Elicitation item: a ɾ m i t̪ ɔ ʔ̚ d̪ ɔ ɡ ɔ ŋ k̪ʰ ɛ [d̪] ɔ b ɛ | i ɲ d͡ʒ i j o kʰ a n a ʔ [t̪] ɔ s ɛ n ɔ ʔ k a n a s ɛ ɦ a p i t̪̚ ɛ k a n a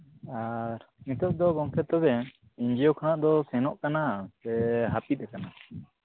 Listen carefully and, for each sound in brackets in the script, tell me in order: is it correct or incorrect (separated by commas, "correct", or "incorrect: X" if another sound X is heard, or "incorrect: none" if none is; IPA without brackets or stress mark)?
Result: incorrect: t̪, incorrect: d̪